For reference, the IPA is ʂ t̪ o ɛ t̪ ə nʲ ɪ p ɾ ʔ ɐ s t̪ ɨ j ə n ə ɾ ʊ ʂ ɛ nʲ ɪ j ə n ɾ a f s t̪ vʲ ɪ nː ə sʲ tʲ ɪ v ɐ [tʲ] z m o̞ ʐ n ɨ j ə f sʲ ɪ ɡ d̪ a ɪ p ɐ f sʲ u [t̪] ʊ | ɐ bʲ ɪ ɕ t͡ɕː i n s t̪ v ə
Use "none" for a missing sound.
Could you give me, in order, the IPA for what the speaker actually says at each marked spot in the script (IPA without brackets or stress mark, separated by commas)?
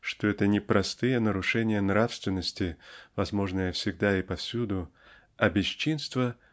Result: none, d̪